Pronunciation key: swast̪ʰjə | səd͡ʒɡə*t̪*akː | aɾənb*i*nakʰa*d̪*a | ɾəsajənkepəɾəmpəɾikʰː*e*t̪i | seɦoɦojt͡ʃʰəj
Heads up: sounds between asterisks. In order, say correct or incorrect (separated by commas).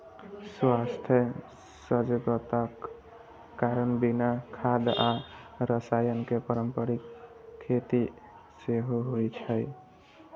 correct, correct, correct, correct